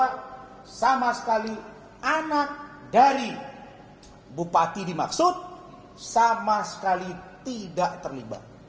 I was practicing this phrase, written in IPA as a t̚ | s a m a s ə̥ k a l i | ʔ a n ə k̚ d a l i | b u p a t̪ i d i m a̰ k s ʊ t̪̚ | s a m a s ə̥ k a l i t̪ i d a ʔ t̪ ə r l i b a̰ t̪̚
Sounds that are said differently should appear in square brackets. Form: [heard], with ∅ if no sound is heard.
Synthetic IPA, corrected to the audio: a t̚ | s a m a s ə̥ k a l i | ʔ a n [a] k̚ d a [ɾ] i | b u p a t̪ i d i m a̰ k s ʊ t̪̚ | s a m a s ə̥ k a l i t̪ i d a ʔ t̪ ə r l i b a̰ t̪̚